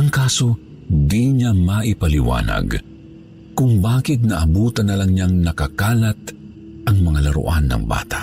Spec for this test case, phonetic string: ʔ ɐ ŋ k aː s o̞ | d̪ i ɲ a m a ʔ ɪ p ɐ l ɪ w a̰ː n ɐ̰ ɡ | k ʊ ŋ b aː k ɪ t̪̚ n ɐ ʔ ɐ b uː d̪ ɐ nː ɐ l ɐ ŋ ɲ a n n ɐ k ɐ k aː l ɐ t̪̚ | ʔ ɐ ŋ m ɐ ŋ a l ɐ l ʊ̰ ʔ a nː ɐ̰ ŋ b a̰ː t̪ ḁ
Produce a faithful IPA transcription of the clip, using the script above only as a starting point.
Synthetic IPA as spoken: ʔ ɐ ŋ k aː s o̞ | d̪ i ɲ a m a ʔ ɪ p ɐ l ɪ w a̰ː n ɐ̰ ɡ | k ʊ ŋ b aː k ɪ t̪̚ n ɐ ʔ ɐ b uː t̪ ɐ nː ɐ l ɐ ŋ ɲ a ŋ n ɐ k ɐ k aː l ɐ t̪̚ | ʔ ɐ ŋ m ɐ ŋ a l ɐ ɾ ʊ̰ ʔ a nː ɐ̰ ŋ b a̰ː t̪ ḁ